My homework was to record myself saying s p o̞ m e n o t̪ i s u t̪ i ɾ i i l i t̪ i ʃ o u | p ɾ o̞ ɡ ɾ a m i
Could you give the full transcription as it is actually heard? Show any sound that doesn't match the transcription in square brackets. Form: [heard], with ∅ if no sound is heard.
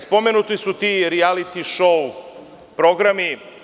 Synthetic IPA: s p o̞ m e n [u] t̪ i s u t̪ i ɾ i [a] l i t̪ i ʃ o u | p ɾ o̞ ɡ ɾ a m i